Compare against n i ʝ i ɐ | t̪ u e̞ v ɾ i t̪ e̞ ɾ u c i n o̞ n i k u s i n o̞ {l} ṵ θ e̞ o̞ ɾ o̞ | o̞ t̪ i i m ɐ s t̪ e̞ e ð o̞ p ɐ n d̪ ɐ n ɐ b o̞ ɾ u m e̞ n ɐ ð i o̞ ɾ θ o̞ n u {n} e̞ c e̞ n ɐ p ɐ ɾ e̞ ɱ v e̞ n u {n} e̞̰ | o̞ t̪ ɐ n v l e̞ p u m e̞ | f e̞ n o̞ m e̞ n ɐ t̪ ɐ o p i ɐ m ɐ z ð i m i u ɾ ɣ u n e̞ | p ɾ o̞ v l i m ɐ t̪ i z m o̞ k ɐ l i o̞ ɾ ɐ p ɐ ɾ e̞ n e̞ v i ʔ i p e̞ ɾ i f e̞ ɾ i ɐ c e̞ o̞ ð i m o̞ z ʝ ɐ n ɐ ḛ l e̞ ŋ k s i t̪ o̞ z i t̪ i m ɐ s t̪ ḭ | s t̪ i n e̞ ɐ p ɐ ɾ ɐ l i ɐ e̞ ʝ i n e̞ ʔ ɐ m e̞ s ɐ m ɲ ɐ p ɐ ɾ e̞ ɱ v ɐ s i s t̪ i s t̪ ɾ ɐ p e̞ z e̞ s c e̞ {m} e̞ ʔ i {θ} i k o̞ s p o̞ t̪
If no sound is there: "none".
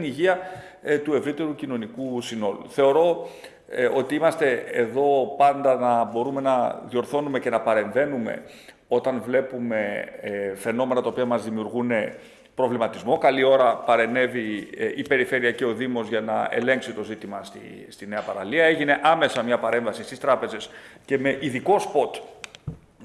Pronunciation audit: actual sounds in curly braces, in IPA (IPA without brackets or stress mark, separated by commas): l, m, m, m, ð